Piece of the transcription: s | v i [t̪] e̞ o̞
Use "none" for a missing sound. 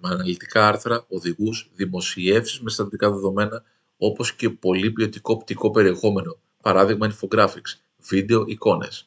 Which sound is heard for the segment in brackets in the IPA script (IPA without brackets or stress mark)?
d̪